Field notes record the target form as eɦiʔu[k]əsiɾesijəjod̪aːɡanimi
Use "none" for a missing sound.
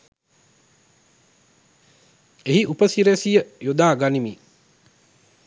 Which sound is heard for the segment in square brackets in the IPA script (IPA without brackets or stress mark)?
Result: p